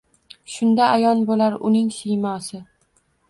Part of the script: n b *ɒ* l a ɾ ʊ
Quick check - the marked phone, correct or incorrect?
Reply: incorrect